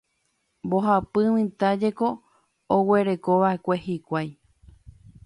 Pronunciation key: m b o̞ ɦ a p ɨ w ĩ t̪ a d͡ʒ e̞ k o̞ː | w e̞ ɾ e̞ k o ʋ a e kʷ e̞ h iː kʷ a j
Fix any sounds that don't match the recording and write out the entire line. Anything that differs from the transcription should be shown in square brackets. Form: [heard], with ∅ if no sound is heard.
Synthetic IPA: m b o̞ ɦ a p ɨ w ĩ t̪ a d͡ʒ e̞ k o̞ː | w e̞ ɾ e̞ k o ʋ a e kʷ e̞ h [i] kʷ a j